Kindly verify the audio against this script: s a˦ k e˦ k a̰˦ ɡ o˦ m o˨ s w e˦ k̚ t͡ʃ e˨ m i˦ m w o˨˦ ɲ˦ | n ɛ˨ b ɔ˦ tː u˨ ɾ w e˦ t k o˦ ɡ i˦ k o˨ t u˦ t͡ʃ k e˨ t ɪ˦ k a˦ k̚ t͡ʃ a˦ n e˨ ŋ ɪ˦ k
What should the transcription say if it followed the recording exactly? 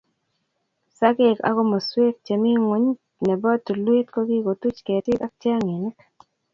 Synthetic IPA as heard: s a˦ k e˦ k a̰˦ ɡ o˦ m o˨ s w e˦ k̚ t͡ʃ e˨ m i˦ ŋ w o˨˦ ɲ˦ | n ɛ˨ b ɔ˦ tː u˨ l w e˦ t k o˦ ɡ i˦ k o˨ t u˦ t͡ʃ k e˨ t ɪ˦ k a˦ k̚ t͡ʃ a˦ ŋ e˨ n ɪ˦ k